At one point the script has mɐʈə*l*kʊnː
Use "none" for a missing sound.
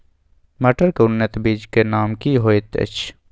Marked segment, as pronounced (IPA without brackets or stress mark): ɾ